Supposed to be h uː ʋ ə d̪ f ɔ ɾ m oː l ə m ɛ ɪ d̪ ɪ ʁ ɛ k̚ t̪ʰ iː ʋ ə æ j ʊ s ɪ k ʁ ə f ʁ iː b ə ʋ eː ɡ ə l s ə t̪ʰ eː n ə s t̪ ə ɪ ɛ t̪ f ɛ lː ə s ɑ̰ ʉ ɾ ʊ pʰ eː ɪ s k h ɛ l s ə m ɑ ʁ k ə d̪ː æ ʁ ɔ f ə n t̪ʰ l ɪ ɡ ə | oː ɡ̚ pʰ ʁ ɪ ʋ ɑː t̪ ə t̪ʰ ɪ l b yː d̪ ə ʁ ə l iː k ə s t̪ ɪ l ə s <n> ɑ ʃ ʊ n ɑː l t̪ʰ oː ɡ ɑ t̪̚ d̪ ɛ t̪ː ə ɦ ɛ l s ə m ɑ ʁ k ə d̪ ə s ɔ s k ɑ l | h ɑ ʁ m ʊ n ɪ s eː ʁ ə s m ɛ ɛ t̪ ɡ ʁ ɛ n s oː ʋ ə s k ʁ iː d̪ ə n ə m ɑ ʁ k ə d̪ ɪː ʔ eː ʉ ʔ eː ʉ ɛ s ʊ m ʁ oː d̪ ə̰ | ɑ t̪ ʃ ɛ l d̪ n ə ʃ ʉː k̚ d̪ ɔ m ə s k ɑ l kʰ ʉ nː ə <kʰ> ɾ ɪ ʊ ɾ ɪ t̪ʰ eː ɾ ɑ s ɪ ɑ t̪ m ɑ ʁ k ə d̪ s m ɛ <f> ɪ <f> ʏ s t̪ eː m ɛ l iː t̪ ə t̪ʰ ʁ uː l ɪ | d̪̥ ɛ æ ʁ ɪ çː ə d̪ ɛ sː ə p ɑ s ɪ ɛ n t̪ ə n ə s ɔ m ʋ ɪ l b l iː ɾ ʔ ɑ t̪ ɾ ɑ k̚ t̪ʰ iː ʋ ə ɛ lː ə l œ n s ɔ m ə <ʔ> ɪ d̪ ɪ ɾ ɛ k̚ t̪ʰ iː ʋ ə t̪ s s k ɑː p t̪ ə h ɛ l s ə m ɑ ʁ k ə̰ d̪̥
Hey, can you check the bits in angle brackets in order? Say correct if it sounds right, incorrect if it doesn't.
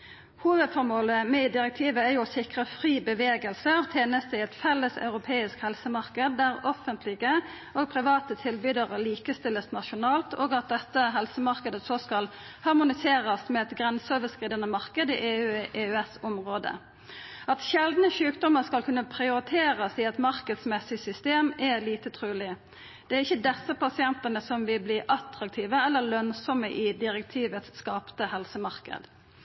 correct, incorrect: pʰ, incorrect: s, incorrect: s, correct

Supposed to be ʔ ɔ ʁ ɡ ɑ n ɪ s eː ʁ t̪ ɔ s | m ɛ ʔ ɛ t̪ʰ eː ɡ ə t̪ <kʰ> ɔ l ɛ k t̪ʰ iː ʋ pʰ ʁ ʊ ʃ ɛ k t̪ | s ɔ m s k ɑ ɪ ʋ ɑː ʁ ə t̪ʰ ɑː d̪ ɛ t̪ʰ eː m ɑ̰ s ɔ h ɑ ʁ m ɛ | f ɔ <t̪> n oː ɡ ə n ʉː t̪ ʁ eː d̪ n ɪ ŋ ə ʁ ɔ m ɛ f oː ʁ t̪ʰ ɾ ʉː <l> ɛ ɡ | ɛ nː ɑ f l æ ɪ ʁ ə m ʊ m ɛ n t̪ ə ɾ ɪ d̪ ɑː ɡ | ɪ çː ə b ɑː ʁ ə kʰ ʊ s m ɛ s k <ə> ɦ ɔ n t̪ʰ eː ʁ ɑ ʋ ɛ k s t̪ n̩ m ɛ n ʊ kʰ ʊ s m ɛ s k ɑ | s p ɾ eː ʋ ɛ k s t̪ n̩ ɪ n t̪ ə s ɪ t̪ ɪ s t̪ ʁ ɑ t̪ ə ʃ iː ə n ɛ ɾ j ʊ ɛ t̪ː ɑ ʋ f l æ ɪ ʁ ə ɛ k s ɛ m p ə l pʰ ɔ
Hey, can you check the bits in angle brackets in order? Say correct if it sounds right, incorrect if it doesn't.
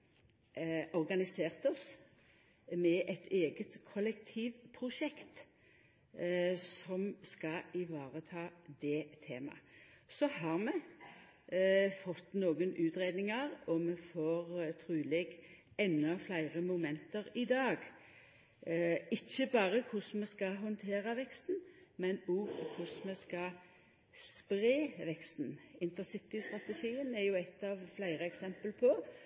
correct, correct, correct, incorrect: ɑ

